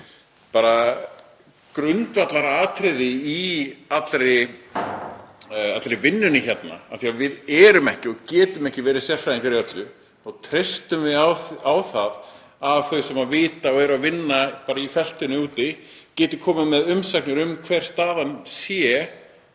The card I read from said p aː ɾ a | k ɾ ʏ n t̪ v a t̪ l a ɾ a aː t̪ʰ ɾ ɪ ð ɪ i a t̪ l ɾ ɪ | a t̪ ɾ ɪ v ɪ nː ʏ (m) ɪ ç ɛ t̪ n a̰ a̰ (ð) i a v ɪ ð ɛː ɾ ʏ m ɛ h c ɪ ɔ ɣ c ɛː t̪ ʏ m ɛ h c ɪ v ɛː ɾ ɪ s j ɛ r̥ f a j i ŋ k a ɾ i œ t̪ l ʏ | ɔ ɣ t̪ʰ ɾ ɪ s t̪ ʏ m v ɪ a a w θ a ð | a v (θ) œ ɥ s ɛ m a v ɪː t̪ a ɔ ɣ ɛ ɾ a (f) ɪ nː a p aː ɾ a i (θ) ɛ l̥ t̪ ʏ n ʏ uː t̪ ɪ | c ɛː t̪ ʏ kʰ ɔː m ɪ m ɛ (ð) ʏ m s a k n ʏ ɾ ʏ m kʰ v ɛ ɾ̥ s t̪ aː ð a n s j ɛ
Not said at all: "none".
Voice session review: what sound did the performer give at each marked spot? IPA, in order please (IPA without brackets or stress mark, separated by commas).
n, θ, θ, v, f, ð